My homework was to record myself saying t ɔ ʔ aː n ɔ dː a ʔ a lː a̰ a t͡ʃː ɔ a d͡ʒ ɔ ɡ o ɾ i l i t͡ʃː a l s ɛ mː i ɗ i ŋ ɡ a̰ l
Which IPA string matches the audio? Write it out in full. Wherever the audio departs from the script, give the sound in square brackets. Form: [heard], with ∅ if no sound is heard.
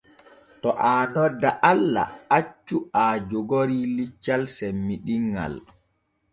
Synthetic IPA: t ɔ ʔ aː n ɔ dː a ʔ a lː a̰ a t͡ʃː [u] a d͡ʒ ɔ ɡ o ɾ i l i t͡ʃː a l s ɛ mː i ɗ i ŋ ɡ a̰ l